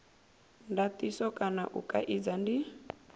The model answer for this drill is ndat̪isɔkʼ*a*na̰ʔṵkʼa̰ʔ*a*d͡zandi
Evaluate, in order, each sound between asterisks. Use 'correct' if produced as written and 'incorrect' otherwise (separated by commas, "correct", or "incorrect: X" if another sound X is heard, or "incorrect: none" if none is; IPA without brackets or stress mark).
correct, incorrect: i